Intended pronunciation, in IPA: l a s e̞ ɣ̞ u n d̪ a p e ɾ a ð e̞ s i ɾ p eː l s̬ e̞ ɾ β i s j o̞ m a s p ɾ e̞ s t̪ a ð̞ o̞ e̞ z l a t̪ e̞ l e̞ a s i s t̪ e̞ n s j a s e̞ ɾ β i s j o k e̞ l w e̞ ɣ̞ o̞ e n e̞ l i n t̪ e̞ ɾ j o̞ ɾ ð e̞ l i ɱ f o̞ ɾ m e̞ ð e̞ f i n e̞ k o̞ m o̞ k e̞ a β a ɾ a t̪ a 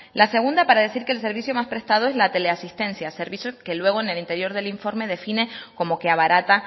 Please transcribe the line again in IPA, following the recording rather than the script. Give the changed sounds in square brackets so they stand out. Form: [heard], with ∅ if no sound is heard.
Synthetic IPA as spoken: l a s e̞ ɣ̞ u n d̪ a p [a] ɾ a ð e̞ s i ɾ [k] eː l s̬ e̞ ɾ β i s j o̞ m a s p ɾ e̞ s t̪ a ð̞ o̞ e̞ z l a t̪ e̞ l e̞ a s i s t̪ e̞ n s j a s e̞ ɾ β i s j o k e̞ l w e̞ ɣ̞ o̞ e n e̞ l i n t̪ e̞ ɾ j o̞ ɾ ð e̞ l i ɱ f o̞ ɾ m e̞ ð e̞ f i n e̞ k o̞ m o̞ k e̞ a β a ɾ a t̪ a